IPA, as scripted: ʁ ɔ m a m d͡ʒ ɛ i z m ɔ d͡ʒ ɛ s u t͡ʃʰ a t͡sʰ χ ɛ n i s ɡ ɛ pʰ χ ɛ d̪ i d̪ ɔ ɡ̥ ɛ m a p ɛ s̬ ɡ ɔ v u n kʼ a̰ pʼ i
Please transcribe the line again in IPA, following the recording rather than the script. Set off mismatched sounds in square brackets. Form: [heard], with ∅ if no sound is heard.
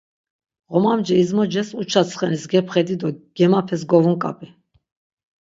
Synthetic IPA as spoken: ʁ ɔ m a m d͡ʒ ɛ i z m ɔ d͡ʒ ɛ s u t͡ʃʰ a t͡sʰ χ ɛ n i s ɡ ɛ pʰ χ ɛ d̪ i d̪ ɔ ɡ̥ ɛ m a [pʰ] ɛ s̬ ɡ ɔ v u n kʼ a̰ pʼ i